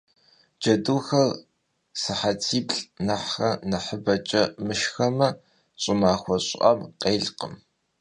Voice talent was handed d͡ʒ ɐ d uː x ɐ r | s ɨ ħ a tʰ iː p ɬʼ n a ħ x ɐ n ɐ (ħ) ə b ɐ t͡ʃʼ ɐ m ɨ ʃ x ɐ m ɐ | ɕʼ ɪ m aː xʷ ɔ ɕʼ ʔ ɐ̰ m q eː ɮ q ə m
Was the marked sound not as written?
no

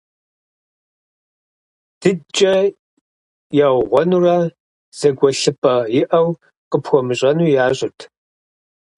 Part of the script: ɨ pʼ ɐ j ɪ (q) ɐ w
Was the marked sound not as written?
yes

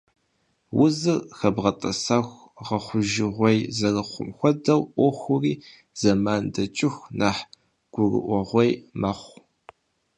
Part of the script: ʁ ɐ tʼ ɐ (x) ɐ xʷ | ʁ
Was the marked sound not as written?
yes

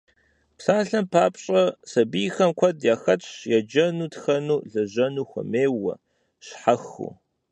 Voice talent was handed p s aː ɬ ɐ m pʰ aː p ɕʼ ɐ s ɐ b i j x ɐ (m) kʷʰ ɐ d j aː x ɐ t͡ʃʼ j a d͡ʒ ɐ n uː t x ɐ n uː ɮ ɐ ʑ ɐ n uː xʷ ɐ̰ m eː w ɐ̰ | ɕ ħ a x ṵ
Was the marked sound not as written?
no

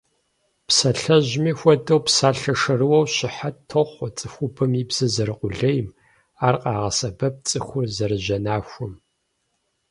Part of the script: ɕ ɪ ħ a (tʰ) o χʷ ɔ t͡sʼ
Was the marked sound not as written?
no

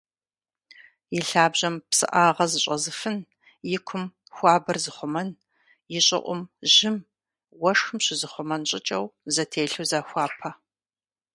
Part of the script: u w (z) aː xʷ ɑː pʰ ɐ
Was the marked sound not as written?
no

